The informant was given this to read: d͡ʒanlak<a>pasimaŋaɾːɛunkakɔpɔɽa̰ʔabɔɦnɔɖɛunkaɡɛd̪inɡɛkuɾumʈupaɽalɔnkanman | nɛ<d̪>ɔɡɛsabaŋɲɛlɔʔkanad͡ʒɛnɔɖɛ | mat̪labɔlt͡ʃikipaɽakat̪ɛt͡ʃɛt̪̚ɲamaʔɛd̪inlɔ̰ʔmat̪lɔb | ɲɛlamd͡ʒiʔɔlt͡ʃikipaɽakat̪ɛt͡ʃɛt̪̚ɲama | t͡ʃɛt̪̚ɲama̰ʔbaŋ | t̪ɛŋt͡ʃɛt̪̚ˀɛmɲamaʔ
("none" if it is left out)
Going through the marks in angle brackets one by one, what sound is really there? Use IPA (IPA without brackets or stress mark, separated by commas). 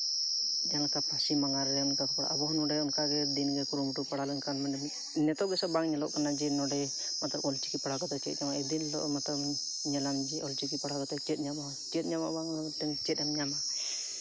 a, t̪